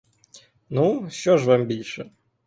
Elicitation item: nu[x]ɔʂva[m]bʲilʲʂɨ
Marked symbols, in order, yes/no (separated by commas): no, yes